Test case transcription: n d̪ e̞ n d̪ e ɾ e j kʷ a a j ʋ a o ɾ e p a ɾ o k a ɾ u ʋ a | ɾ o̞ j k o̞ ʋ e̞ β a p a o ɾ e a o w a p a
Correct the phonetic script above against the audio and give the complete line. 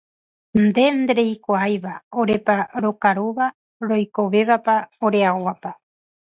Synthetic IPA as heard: n d̪ e̞ n d̪ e ɾ e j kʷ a a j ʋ a o ɾ e p a ɾ o k a ɾ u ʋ a | ɾ o̞ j k o̞ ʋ e̞ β a p a o ɾ e a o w a p a